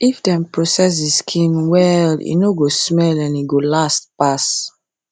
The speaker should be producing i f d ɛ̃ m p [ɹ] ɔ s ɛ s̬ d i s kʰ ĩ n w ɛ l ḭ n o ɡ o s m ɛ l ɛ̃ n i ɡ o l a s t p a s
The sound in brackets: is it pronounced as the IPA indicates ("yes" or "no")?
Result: yes